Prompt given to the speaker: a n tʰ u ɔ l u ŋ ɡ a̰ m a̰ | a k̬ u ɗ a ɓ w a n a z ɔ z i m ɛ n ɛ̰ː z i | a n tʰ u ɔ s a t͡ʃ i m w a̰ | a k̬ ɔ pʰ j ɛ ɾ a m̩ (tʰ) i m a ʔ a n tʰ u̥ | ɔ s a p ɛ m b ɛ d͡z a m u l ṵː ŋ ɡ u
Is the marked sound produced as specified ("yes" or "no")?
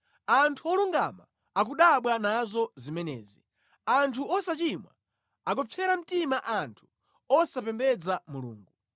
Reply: no